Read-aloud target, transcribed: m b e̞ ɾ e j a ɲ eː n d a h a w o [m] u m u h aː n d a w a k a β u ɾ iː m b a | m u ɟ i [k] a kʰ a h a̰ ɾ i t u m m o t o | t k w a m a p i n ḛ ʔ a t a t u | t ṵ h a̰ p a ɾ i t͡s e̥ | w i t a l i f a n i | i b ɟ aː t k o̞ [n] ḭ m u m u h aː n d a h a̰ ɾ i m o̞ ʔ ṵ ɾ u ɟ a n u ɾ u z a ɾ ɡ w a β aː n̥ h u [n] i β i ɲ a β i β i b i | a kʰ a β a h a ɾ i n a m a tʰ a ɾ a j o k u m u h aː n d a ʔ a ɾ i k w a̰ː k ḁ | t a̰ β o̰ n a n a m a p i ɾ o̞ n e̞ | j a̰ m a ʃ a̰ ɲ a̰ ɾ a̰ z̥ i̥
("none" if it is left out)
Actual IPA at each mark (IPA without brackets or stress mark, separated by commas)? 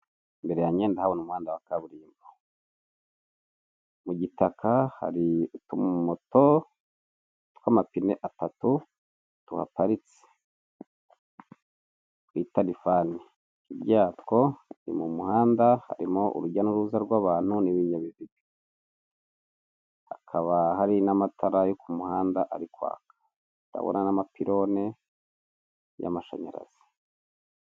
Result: n, t, n, n